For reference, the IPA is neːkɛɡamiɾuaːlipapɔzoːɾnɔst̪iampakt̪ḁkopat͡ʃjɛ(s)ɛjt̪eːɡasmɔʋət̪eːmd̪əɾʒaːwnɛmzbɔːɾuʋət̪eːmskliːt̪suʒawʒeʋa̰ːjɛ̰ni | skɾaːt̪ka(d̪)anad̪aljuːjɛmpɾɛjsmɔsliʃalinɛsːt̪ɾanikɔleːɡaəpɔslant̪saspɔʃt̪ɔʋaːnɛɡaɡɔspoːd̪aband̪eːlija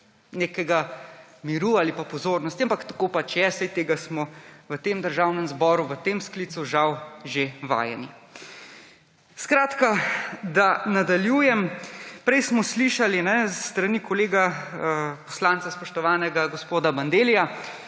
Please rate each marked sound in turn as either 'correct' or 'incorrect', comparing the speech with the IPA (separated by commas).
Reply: correct, correct